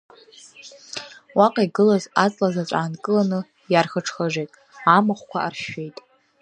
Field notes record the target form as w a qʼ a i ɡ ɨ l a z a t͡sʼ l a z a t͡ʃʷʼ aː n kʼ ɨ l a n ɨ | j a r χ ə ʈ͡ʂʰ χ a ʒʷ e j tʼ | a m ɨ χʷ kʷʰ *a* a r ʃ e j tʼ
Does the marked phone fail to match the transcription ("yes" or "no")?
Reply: no